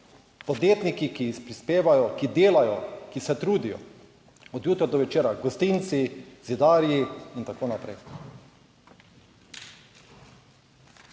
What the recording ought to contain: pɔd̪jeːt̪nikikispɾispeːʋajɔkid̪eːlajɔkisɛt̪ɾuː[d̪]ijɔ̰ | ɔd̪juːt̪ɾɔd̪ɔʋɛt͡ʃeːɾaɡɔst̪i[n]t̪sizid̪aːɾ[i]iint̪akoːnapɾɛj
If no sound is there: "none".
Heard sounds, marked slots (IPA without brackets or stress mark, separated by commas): d̪, n, j